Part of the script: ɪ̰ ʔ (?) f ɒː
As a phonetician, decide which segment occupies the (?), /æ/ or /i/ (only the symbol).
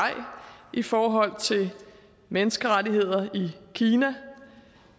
i